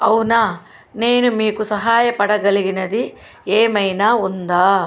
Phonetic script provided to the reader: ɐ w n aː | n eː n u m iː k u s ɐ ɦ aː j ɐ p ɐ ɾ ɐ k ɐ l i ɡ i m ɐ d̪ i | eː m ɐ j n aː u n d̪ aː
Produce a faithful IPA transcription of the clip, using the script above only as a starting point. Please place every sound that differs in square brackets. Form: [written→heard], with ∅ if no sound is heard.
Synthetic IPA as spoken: ɐ w n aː | n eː n u m iː k u s ɐ ɦ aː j ɐ p ɐ [ɾ→ɽ] ɐ [k→ɡ] ɐ l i ɡ i [m→n] ɐ d̪ i | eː m ɐ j n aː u n d̪ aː